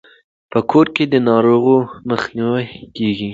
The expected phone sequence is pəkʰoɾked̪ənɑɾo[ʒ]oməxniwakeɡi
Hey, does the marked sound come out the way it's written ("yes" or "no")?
no